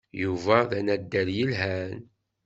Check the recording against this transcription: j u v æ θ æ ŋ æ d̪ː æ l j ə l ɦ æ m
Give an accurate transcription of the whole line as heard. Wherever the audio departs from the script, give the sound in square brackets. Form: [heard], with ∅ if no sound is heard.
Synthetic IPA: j u v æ [ð] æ [n] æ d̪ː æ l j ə l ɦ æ [n]